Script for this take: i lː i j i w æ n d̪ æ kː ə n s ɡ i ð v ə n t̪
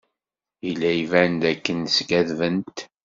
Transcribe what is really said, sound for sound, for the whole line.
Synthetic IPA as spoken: i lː æ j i v æ n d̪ æ kː ə n s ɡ æ ð v ə n t̪